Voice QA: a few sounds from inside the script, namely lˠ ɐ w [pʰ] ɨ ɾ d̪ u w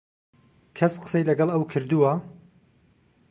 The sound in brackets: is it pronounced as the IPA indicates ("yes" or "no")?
no